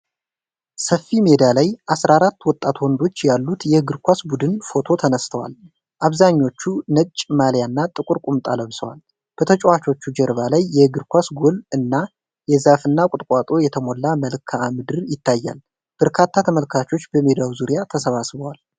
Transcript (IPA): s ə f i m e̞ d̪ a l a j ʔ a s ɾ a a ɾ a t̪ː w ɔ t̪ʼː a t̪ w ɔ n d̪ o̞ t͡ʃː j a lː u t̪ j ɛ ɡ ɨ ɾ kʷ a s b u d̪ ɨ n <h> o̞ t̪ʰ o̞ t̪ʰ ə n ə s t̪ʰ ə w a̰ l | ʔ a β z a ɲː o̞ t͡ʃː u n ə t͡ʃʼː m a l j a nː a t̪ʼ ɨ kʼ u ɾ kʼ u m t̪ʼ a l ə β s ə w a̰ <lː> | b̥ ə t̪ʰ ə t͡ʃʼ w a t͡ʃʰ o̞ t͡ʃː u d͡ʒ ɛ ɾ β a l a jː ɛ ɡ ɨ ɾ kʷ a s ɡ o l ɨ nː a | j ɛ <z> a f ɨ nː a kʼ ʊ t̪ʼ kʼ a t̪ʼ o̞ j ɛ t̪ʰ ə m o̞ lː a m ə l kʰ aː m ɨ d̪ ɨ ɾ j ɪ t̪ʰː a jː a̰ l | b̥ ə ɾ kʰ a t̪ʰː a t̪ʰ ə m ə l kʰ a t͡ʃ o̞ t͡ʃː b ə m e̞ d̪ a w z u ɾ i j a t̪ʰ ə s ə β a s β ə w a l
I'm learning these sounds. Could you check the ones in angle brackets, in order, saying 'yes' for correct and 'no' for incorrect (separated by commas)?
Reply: no, no, yes